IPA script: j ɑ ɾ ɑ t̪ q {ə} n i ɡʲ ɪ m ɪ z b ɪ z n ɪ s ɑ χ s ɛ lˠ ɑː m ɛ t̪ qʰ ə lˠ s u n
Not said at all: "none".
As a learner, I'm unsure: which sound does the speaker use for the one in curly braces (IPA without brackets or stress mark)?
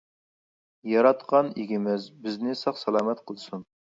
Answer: ɑ